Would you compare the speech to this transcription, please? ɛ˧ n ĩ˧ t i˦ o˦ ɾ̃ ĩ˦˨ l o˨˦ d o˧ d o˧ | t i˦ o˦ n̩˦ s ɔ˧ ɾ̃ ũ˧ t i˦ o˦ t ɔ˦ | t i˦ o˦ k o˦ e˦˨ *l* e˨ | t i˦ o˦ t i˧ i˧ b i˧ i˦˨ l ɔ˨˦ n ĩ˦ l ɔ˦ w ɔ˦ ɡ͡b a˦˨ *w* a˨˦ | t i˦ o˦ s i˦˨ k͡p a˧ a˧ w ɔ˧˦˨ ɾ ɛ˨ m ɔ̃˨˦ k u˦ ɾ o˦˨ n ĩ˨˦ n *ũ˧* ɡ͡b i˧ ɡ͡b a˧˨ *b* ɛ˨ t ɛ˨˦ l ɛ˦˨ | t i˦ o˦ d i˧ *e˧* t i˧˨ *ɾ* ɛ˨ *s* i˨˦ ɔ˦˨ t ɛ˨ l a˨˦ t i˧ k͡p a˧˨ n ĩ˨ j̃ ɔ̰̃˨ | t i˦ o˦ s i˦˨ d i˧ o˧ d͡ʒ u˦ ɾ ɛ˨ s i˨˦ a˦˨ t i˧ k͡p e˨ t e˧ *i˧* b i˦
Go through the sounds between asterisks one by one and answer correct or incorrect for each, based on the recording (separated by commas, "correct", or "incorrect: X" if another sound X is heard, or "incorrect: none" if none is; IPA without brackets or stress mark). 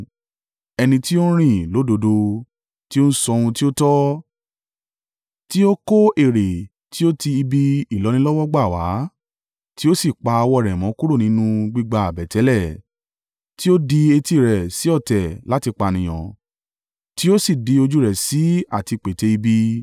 incorrect: ɾ, correct, correct, correct, correct, correct, correct, correct